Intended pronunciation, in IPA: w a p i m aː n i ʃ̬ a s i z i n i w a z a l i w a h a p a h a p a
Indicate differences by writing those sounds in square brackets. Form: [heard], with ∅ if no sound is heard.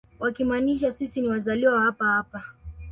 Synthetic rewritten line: w a [k] i m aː n i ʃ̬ a s i [s] i n i w a z a l i w a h a p a h a p a